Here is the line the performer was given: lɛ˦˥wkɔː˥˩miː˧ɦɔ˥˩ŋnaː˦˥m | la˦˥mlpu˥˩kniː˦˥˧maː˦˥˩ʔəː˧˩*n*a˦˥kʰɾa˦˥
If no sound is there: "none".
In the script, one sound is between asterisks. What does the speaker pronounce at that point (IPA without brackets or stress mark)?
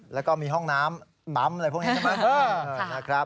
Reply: n